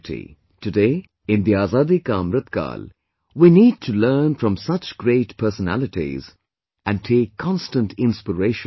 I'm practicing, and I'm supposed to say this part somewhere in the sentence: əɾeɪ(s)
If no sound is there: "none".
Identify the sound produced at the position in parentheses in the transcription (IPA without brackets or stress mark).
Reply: ʃ